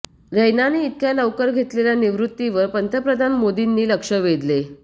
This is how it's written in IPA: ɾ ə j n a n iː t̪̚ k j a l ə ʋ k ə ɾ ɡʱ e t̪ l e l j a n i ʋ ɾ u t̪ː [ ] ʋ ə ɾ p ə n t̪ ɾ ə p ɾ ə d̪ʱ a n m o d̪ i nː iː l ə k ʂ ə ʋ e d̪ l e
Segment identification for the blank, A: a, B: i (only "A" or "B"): B